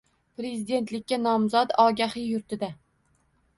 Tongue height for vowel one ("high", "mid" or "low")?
mid